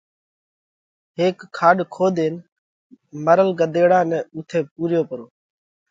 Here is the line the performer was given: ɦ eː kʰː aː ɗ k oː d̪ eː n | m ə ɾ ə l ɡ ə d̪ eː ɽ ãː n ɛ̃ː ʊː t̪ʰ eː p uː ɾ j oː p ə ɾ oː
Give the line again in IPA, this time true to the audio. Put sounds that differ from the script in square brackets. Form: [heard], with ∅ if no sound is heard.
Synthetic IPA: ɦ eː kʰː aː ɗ [kʰ] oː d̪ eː n | m ə ɾ ə l ɡ ə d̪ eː ɽ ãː n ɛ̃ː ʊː t̪ʰ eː p uː ɾ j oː p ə ɾ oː